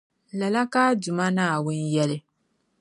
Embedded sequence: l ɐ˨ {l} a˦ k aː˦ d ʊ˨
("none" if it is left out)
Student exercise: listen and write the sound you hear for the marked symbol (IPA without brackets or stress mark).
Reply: l